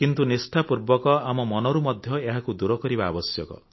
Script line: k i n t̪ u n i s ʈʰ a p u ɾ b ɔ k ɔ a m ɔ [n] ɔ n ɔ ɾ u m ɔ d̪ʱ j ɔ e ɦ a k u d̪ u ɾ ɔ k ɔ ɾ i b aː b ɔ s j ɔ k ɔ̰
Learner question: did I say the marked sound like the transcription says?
no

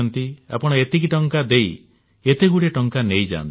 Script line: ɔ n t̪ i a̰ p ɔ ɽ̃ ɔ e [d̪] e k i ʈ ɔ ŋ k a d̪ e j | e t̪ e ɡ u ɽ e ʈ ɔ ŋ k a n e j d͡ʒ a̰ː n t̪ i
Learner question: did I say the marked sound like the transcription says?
no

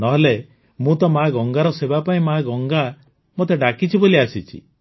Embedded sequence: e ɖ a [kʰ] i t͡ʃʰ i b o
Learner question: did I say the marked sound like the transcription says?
no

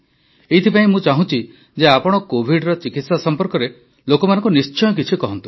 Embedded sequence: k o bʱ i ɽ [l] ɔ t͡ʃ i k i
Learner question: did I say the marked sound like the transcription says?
no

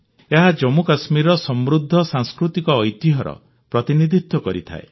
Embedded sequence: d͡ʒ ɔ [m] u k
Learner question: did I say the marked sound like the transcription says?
yes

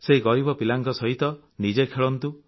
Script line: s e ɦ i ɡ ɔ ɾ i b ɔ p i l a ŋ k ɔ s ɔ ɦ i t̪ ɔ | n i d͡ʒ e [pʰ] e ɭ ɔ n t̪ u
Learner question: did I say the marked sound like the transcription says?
no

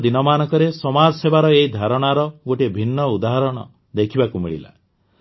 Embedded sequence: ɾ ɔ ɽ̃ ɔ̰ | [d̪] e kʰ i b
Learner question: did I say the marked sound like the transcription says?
yes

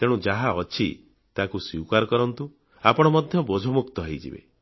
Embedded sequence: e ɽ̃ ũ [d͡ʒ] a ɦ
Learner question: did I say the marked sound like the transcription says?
yes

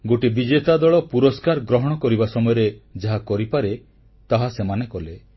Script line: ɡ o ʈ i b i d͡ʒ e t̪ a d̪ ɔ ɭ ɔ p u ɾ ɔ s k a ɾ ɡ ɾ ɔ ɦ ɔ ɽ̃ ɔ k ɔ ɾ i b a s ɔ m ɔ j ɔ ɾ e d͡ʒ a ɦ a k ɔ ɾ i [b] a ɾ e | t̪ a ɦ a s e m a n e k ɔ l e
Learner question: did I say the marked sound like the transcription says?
no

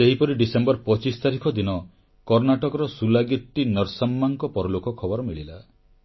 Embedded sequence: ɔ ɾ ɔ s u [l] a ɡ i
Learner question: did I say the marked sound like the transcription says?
yes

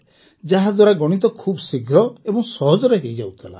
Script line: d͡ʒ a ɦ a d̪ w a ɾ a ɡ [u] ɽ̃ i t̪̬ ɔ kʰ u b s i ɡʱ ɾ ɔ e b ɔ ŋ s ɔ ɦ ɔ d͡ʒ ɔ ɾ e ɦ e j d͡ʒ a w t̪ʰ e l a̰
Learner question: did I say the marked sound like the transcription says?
no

